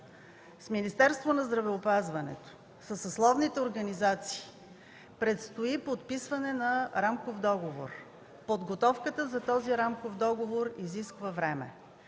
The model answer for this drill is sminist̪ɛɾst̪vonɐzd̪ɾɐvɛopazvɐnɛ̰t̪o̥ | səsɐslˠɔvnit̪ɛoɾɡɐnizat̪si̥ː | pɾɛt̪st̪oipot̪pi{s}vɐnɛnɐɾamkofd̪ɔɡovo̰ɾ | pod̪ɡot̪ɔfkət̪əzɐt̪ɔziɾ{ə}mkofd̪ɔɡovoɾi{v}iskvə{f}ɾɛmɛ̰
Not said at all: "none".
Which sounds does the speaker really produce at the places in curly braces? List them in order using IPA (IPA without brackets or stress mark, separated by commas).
s, a, z, v